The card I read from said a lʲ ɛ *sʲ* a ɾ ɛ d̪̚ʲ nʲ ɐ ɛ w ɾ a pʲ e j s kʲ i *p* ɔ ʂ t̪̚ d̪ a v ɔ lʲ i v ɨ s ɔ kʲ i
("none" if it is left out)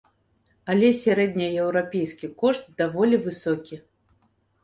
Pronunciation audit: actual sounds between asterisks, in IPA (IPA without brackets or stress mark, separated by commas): sʲ, k